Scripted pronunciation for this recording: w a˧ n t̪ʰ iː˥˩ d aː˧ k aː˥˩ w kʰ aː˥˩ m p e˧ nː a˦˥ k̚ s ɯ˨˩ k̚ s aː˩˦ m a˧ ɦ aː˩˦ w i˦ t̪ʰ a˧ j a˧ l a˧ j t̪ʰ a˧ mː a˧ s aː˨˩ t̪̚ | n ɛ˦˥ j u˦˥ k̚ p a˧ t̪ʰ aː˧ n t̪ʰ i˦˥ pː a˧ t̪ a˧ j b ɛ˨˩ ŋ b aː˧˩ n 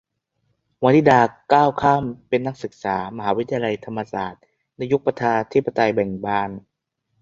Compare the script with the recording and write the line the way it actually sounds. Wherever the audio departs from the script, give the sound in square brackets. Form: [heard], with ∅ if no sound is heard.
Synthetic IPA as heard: w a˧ n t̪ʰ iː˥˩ d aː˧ k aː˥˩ w kʰ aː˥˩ m p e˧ nː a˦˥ k̚ s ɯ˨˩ k̚ s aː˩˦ m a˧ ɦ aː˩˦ w i˦ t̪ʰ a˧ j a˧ l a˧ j t̪ʰ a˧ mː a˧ s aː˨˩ t̪̚ | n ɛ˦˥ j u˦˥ k̚ p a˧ t̪ʰ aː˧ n t̪ʰ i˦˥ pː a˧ t̪ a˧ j b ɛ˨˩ ŋ b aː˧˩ n